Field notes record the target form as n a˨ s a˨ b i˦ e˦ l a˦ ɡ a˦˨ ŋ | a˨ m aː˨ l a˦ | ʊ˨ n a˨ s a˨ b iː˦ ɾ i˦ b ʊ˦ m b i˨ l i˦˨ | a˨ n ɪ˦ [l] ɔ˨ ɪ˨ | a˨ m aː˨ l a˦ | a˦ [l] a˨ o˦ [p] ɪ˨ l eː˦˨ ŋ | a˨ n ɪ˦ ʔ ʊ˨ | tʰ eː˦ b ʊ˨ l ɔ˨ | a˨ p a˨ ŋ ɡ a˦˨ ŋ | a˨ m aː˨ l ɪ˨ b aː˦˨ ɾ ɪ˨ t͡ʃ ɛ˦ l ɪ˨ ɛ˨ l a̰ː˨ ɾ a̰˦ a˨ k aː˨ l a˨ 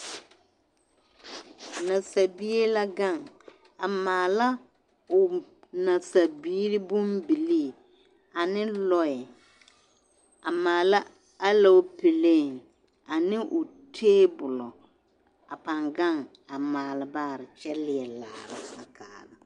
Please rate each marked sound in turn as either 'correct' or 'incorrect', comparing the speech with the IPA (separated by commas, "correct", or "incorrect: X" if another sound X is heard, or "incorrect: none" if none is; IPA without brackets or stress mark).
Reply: correct, correct, correct